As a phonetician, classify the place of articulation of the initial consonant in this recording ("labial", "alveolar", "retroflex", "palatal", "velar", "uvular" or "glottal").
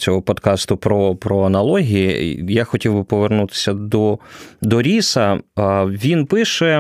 glottal